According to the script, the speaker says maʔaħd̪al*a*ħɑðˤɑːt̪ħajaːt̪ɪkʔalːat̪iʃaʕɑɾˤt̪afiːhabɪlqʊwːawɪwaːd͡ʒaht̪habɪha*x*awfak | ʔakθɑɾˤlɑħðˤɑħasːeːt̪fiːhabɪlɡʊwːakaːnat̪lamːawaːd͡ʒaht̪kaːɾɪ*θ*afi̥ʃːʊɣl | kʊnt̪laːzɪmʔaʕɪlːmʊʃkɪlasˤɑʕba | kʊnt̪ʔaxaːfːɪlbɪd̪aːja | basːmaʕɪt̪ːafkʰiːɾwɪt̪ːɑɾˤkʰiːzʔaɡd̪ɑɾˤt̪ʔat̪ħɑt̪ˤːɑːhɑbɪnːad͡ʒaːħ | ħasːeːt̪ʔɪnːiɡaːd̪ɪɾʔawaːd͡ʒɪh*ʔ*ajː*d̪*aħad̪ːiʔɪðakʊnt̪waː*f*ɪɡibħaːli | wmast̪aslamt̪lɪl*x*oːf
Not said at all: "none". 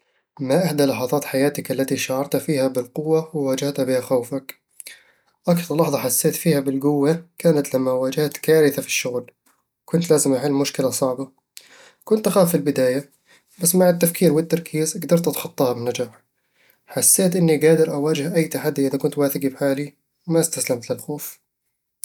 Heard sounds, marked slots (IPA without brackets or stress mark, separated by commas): ɑ, x, θ, ʔ, t̪, θ, x